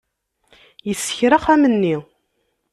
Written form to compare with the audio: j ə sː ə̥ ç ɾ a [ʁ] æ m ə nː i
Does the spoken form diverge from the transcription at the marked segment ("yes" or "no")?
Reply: yes